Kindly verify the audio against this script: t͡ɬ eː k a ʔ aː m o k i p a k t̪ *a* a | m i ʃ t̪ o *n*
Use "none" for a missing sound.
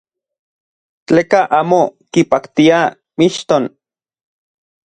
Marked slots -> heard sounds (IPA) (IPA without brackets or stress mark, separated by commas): i, n